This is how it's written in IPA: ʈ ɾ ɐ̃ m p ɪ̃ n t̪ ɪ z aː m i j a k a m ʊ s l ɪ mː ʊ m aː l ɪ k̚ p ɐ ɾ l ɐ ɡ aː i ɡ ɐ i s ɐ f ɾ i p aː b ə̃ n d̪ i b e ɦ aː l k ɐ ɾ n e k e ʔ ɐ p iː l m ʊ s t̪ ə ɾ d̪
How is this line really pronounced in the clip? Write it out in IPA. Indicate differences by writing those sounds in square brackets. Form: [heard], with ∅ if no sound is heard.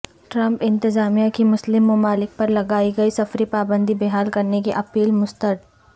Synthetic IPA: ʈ ɾ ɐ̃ m p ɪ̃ n t̪ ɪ z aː m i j a k [i] m ʊ s l ɪ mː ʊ m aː l ɪ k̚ p ɐ ɾ l ɐ ɡ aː i ɡ ɐ i s ɐ f ɾ i p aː b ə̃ n d̪ i b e ɦ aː l k ɐ ɾ n e k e ʔ ɐ p iː l m ʊ s t̪ ə ɾ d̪